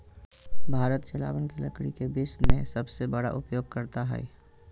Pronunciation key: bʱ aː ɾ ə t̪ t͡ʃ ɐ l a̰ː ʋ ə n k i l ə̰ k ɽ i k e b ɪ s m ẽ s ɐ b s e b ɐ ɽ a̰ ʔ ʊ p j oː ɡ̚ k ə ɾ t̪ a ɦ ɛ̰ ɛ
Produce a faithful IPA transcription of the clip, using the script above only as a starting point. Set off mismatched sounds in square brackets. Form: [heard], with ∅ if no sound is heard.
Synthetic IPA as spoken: bʱ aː ɾ ə t̪ t͡ʃ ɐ l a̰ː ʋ ə n k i l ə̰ k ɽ i k e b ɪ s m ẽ s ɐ b s e b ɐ ɽ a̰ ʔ ʊ p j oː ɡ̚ k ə ɾ t̪ a ɦ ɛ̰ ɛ